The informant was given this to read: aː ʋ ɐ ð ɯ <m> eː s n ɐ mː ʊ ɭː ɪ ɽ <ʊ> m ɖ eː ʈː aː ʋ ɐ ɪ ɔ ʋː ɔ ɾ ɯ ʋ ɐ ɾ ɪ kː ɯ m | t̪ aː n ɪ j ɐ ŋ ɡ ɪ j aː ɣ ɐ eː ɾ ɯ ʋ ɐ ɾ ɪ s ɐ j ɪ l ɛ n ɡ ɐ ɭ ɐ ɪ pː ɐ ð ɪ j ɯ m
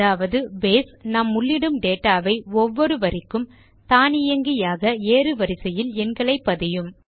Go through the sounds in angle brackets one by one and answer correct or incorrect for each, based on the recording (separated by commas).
incorrect, incorrect